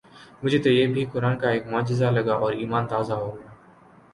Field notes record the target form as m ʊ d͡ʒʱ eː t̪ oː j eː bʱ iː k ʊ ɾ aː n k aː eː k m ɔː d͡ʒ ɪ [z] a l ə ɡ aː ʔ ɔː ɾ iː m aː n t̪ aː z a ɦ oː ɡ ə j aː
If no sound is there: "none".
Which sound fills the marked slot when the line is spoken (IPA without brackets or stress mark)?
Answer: z